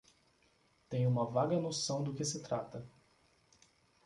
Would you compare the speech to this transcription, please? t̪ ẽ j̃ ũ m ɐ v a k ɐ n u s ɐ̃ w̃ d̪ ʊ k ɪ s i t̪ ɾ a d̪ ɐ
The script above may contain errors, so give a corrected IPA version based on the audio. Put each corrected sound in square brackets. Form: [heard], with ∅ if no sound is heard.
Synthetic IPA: t̪ ẽ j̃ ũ m ɐ v a [ɡ] ɐ n [o] s ɐ̃ w̃ d̪ ʊ k ɪ s [ɪ] t̪ ɾ a [t̪] ɐ